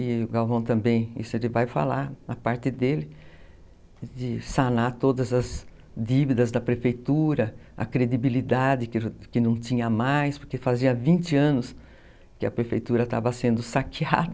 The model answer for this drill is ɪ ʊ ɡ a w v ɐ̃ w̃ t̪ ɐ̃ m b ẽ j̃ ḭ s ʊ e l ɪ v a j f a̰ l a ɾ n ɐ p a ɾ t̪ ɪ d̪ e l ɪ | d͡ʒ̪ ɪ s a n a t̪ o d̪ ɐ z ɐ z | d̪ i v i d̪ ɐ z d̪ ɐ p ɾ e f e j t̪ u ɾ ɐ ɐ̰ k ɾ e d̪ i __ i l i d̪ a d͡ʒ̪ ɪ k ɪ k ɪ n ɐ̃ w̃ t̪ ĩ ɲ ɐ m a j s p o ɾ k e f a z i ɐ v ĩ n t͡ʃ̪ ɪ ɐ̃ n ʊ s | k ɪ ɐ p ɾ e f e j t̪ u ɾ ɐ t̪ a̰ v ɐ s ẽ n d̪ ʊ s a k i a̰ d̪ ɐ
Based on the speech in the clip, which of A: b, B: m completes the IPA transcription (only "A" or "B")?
A